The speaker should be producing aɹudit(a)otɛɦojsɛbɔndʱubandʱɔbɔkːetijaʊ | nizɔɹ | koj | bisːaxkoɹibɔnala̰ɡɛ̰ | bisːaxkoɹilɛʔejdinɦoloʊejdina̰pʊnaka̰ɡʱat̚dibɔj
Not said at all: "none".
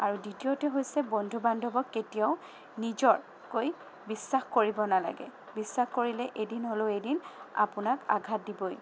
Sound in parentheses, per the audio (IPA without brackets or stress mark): i